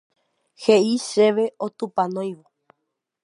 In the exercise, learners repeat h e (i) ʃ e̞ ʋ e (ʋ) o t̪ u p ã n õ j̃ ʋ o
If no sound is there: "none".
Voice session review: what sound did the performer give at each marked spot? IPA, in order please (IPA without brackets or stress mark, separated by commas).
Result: i, none